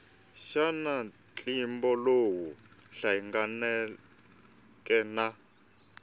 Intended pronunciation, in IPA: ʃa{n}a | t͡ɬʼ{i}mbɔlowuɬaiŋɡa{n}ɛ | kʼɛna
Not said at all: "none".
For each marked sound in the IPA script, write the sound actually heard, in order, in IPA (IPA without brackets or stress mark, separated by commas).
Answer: n, i, n